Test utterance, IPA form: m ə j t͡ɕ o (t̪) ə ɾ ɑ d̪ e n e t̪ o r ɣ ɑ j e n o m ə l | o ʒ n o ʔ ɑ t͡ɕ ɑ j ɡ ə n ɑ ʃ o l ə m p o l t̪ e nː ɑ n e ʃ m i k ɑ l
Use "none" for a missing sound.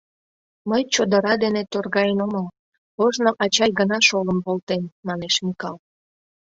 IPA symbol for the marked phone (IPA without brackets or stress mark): d̪